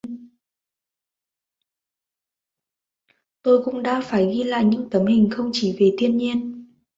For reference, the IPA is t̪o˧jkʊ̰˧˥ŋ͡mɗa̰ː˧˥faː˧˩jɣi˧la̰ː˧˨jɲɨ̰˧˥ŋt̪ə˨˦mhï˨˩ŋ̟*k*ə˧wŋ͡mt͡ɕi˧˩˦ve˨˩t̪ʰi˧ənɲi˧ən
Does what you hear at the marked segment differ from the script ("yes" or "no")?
yes